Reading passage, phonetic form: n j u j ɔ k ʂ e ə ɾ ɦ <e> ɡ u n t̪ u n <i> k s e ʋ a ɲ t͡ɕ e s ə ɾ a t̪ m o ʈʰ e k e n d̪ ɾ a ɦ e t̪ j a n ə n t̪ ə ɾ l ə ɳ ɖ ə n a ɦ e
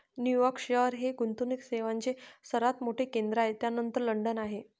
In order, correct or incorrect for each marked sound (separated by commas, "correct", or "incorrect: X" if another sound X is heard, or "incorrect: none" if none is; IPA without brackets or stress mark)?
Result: correct, correct